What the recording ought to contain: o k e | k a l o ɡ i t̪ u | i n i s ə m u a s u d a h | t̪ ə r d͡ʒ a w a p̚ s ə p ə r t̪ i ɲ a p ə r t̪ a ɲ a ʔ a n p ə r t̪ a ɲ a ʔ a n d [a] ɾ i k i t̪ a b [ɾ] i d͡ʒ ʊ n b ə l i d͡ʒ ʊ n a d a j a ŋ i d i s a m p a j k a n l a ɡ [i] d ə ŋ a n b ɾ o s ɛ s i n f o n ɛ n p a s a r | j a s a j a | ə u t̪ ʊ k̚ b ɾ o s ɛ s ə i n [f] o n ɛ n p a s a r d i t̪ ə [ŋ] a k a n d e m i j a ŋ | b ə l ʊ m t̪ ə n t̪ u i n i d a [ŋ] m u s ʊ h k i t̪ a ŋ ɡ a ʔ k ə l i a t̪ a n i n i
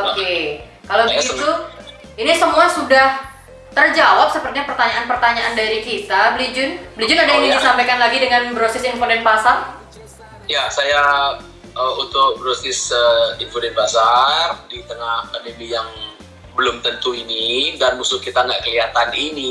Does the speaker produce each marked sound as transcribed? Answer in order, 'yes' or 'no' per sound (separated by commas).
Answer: yes, no, yes, yes, yes, no